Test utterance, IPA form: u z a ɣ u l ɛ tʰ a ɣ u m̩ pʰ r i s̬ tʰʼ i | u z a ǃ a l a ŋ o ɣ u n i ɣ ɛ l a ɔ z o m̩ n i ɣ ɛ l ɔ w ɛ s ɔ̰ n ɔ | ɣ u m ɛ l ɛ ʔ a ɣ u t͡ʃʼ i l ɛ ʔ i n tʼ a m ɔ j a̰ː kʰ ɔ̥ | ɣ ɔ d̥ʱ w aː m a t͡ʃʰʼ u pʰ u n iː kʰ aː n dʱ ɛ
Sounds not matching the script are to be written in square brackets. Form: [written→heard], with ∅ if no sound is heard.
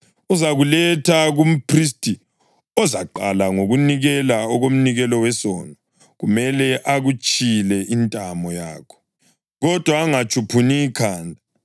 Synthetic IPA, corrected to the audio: u z a ɣ u l ɛ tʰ a ɣ u m̩ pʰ r i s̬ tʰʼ i | [u→ɔ] z a ǃ a l a ŋ o ɣ u n i ɣ ɛ l a ɔ [z→ɣ] o m̩ n i ɣ ɛ l ɔ w ɛ s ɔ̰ n ɔ | ɣ u m ɛ l ɛ ʔ a ɣ u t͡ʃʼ i l ɛ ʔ i n tʼ a m ɔ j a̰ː kʰ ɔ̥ | ɣ ɔ d̥ʱ w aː [m→ŋ] a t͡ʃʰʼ u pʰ u n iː kʰ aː n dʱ [ɛ→a]

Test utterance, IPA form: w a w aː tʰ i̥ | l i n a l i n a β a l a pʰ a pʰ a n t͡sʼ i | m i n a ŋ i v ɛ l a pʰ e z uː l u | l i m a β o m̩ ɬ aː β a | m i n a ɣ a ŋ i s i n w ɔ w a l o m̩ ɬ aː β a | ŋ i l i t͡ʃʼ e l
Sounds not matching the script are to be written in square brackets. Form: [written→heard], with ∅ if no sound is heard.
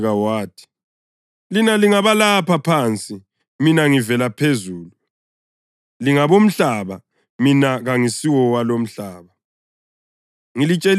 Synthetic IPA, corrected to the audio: [w→ɣ] a w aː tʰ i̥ | l i n a l i [n→ŋ] a β a l a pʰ a pʰ a n t͡sʼ i | m i n a ŋ i v ɛ l a pʰ e z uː l u | l i [m→ŋ] a β o m̩ ɬ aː β a | m i n a ɣ a ŋ i s i [n→∅] w ɔ w a l o m̩ ɬ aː β a | ŋ i l i t͡ʃʼ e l

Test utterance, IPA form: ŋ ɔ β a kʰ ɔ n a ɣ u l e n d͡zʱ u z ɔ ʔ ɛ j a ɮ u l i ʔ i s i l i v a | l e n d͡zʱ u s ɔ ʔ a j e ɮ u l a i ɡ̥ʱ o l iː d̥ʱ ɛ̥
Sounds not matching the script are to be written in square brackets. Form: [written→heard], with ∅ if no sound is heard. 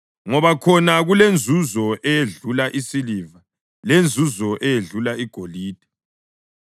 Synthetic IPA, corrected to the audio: ŋ ɔ β a kʰ ɔ n a ɣ u l e n d͡zʱ u z ɔ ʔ ɛ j [a→e] ɮ u l [i→a] ʔ i s i l i v a | l e n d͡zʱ u [s→z] ɔ ʔ [a→ɛ] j e ɮ u l a i ɡ̥ʱ o l iː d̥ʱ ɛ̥

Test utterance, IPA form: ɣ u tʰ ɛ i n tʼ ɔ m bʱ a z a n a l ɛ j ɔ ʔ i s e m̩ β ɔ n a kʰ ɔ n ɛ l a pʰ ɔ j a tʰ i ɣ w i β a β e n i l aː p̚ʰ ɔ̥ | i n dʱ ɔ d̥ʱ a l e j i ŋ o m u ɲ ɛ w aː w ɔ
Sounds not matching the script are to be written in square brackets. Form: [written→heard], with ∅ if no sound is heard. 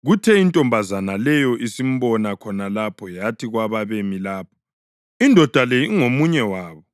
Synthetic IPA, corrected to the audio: ɣ u tʰ ɛ i n tʼ ɔ m bʱ a z a n a l ɛ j ɔ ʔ i s [e→i] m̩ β ɔ n a kʰ ɔ n [ɛ→a] l a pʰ ɔ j a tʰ i ɣ w [i→a] β a β e [n→m] i l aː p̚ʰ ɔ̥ | i n dʱ ɔ d̥ʱ a l e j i ŋ o m u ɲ ɛ w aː [w→β] ɔ

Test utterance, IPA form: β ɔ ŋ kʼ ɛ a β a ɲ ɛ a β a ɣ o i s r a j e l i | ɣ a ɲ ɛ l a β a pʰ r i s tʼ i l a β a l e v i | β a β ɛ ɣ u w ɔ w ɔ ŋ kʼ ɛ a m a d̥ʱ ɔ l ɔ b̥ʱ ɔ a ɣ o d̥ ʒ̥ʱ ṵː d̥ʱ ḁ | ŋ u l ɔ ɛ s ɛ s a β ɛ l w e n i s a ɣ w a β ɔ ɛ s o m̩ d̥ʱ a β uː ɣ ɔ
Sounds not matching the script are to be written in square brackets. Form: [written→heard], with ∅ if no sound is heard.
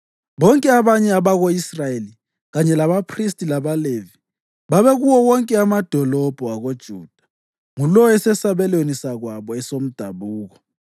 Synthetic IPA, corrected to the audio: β ɔ ŋ kʼ ɛ a β a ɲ ɛ a β a ɣ o i s r a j e l i | ɣ a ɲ ɛ l a β a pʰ r i s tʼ i l a β a l e v i | β a β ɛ ɣ u w ɔ w ɔ ŋ kʼ ɛ a m a d̥ʱ ɔ l ɔ b̥ʱ ɔ a ɣ o d̥ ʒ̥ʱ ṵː d̥ʱ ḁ | ŋ u l ɔ ɛ s ɛ s a β ɛ l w e n i s a ɣ w a β ɔ ɛ s o m̩ d̥ʱ a β uː ɣ ɔ

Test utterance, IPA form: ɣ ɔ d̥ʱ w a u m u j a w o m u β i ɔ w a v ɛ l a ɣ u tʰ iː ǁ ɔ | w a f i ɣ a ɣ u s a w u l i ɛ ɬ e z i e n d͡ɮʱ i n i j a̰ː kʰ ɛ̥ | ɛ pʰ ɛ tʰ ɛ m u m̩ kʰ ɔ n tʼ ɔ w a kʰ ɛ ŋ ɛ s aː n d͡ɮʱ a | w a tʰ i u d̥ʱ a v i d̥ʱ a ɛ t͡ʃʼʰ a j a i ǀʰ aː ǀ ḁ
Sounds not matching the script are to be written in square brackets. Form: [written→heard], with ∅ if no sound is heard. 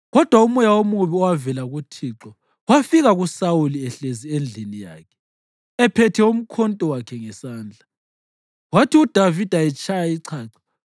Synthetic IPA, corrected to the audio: ɣ ɔ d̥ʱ w a u m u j a w o m u β i ɔ w a v ɛ l a ɣ u tʰ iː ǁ ɔ | w a f i ɣ a ɣ u s a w u l i ɛ ɬ e z i e n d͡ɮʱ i n i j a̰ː kʰ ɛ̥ | ɛ pʰ ɛ tʰ ɛ [m→∅] u m̩ kʰ ɔ n tʼ ɔ w a kʰ ɛ ŋ ɛ s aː n d͡ɮʱ a | w a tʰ i u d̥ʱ a v i d̥ʱ a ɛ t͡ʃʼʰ a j a i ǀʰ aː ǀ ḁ

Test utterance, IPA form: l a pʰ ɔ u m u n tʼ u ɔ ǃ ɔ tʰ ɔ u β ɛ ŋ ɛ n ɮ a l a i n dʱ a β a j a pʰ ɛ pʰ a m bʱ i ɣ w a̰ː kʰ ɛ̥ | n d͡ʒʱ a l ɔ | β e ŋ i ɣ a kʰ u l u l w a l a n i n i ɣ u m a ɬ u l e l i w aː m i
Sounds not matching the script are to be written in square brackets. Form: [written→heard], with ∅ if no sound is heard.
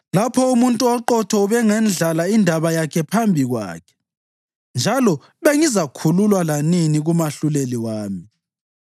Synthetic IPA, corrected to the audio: l a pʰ ɔ u m u n tʼ u ɔ ǃ ɔ tʰ ɔ u β ɛ ŋ ɛ n ɮ a l a i n dʱ a β a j a [pʰ→kʰ] ɛ pʰ a m bʱ i ɣ w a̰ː kʰ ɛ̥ | n d͡ʒʱ a l ɔ | β e ŋ i [ɣ→z] a kʰ u l u l w a l a n i n i ɣ u m a ɬ u l e l i w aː m i

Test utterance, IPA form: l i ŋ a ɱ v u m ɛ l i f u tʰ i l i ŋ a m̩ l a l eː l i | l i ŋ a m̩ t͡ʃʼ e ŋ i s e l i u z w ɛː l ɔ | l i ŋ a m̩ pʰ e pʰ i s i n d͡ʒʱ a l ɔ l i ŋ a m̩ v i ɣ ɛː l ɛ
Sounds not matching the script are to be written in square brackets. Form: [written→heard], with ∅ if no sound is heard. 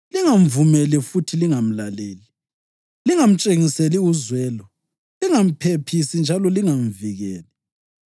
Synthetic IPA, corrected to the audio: l i ŋ a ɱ v u m ɛ l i f u tʰ i l i ŋ a m̩ l a l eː l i | l i ŋ a m̩ t͡ʃʼ e ŋ i s e l i u z w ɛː l ɔ | l i ŋ a m̩ pʰ e pʰ i s i n d͡ʒʱ a l ɔ l i ŋ a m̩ v i ɣ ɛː l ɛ

